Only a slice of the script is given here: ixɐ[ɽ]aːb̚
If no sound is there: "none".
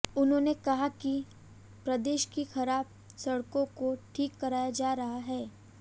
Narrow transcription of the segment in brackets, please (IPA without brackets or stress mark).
ɾ